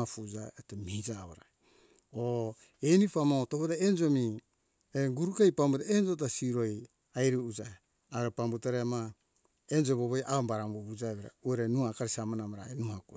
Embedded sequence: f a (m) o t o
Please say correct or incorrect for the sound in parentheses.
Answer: correct